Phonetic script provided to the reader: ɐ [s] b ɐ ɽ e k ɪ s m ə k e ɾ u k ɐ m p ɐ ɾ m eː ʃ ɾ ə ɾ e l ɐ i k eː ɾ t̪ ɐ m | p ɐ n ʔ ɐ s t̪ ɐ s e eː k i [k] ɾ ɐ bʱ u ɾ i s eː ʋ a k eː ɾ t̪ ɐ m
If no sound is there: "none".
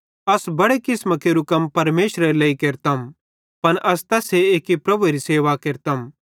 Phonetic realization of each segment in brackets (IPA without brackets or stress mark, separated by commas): s, p